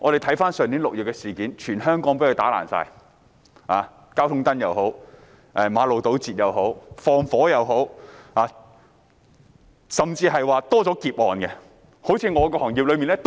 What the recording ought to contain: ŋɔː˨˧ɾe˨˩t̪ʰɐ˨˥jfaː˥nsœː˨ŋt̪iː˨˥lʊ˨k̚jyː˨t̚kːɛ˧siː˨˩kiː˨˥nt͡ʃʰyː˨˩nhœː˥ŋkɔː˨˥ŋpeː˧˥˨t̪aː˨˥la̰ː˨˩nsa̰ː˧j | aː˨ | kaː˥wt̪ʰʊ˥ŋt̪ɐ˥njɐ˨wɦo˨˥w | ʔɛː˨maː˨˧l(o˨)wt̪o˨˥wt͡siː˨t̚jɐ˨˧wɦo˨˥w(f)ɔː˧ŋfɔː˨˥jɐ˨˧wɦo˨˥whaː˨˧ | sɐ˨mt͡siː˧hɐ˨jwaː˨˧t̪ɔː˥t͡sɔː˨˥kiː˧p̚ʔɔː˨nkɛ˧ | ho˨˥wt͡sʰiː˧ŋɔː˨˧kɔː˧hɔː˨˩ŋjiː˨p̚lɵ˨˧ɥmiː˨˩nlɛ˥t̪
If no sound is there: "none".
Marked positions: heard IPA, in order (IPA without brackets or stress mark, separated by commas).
o˨, f